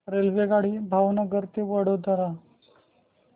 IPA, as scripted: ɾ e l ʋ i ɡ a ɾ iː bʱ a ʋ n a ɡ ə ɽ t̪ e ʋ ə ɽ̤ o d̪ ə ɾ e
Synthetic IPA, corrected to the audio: ɾ e l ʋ e ɡ a ɽ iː bʱ a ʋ n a ɡ ə ɾ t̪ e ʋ ə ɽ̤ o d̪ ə ɾ a